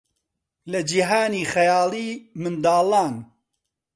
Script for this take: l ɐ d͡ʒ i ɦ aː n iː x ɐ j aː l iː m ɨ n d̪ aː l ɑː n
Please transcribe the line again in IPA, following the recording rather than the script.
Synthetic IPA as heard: l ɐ d͡ʒ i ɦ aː n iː x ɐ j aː l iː m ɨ n d̪ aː l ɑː n